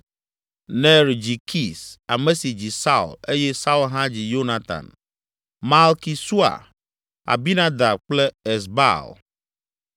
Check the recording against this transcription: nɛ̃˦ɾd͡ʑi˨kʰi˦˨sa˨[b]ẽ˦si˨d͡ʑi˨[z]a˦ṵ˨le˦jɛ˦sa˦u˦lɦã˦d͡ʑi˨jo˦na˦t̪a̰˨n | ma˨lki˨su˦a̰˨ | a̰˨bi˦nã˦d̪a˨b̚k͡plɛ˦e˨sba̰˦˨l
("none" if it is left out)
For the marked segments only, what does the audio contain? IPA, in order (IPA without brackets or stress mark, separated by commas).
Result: m, s